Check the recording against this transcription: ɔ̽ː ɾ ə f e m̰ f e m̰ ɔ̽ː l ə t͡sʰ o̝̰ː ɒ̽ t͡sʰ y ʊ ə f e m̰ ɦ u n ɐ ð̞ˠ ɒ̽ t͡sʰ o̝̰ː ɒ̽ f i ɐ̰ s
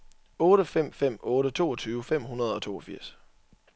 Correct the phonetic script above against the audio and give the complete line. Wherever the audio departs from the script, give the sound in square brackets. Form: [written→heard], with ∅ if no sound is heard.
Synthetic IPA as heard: ɔ̽ː ɾ ə f e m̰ f e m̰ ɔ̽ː [l→ɾ] ə t͡sʰ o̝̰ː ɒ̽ t͡sʰ [y→yː] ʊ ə f e m̰ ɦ u n ɐ ð̞ˠ ɒ̽ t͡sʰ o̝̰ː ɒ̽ f i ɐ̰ s